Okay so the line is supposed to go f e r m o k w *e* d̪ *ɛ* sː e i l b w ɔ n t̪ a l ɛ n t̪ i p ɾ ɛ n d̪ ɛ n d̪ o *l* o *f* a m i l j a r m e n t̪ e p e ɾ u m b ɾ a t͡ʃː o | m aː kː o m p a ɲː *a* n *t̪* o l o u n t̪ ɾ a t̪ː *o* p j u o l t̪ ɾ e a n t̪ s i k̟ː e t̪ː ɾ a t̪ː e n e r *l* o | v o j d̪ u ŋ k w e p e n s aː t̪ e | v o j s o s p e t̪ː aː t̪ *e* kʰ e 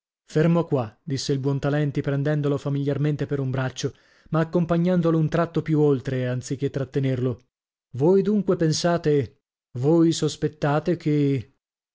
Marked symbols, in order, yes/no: no, no, yes, yes, yes, no, yes, yes, yes

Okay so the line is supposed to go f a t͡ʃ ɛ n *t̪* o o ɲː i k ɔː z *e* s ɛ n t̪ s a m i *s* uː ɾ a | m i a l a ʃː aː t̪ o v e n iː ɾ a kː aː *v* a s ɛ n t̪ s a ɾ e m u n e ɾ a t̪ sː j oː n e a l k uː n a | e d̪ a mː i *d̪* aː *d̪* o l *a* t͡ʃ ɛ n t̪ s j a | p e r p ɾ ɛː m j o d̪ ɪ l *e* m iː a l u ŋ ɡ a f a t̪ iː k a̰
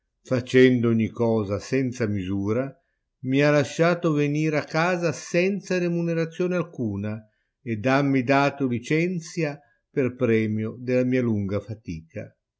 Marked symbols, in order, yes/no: no, no, no, no, yes, no, no, no

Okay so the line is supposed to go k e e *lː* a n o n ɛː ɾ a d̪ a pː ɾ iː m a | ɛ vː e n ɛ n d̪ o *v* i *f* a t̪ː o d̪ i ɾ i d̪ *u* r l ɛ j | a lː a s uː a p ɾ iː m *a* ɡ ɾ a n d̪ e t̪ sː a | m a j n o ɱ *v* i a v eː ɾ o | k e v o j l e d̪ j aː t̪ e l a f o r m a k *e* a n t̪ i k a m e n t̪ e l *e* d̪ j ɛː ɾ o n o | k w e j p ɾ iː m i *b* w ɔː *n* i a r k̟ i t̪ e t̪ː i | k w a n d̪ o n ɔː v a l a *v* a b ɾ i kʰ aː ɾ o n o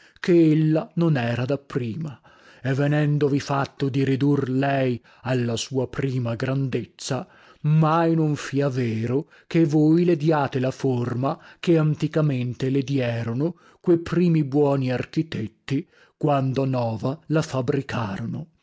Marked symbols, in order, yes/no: yes, yes, yes, yes, yes, no, yes, yes, yes, yes, no

